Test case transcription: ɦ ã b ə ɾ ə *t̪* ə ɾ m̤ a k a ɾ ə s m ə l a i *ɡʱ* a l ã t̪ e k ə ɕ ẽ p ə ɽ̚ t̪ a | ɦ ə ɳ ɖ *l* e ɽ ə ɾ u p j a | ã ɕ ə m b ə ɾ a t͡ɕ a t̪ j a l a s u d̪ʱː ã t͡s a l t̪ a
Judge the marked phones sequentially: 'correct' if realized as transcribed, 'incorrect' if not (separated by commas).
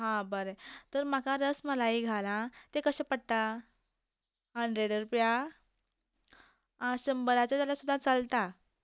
correct, correct, incorrect